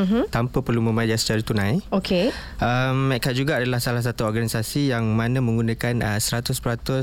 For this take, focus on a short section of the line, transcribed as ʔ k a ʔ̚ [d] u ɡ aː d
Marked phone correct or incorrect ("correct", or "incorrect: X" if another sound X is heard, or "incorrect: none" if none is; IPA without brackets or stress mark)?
incorrect: d͡ʒ